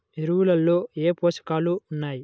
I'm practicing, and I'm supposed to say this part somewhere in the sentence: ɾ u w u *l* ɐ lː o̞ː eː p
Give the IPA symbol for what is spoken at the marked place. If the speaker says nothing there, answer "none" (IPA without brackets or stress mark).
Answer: l